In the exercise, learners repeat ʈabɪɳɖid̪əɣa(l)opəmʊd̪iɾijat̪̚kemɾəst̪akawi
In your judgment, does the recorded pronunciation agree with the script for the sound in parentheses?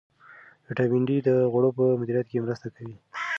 no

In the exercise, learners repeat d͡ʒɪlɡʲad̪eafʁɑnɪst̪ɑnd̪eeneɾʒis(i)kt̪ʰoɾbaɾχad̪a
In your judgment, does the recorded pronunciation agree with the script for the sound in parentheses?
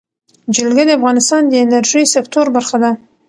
no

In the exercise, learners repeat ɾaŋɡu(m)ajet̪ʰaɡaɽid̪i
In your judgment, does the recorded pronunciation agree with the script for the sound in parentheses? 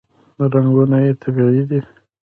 no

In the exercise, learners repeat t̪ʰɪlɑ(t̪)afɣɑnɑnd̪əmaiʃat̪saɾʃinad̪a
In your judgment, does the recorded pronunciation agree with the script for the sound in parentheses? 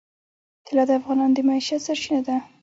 no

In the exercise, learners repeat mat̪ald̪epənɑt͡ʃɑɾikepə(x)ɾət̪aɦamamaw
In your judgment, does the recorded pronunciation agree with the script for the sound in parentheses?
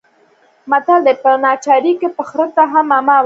yes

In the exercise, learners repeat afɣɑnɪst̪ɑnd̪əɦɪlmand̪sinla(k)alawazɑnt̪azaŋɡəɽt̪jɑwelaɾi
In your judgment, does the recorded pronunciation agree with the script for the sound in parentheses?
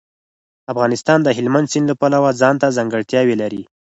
no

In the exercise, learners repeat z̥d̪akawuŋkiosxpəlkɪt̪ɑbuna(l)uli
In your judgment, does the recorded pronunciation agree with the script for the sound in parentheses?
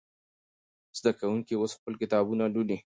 yes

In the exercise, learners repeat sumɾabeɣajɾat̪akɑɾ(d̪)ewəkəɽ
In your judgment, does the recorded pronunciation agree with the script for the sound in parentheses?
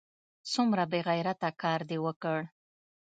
yes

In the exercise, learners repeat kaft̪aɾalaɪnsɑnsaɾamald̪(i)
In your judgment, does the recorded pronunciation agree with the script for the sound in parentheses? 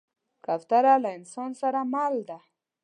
no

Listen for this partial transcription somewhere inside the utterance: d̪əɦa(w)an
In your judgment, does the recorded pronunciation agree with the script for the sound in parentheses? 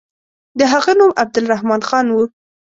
no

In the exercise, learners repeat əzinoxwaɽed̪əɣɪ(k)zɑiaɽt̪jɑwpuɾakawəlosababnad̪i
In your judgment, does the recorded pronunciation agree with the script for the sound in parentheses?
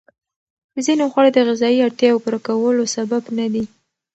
no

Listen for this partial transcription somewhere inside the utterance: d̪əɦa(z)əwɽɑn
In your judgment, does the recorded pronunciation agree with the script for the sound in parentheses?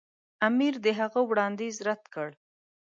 no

